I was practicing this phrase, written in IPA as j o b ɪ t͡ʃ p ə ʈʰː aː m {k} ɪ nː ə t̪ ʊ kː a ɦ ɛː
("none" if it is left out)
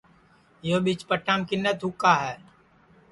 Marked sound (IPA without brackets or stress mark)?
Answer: k